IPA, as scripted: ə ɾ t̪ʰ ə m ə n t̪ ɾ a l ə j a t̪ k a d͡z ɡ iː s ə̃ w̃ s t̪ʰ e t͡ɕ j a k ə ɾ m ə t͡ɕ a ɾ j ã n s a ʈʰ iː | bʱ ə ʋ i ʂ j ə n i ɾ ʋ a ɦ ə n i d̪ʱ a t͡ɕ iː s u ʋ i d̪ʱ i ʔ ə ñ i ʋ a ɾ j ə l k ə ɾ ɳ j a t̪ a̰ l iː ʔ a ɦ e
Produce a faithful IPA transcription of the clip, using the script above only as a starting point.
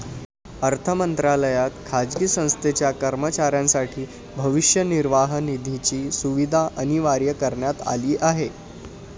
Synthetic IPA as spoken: ə ɾ t̪ʰ ə m ə n t̪ ɾ a l ə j a t̪ kʰ a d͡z ɡ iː s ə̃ w̃ s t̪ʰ e t͡ɕ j a k ə ɾ m ə t͡ɕ a ɾ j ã n s a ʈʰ iː | bʱ ə ʋ i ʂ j ə n i ɾ ʋ a ɦ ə n i d̪ʱ i t͡ɕ iː s u ʋ i d̪ʱ a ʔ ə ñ i ʋ a ɾ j ə k ə ɾ ɳ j a t̪ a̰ l iː ʔ a ɦ e